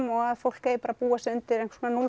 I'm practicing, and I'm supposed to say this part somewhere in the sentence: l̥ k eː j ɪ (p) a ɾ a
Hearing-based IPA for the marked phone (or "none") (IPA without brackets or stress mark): p